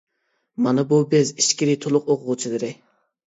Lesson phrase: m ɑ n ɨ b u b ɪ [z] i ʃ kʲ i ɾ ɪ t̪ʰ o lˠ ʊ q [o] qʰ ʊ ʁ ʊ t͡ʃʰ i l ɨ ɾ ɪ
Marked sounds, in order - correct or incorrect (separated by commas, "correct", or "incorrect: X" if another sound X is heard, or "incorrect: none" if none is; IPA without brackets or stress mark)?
correct, correct